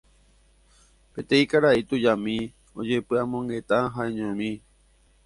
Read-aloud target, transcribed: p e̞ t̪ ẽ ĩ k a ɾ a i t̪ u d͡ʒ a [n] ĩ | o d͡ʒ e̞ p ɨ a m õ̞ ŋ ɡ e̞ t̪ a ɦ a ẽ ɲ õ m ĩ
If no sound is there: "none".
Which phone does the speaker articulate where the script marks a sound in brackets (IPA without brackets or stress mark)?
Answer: m